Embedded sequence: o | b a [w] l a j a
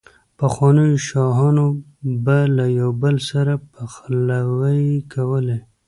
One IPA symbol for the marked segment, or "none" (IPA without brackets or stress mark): none